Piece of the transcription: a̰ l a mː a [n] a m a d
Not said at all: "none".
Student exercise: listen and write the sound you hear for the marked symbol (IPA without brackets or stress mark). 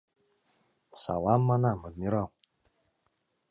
n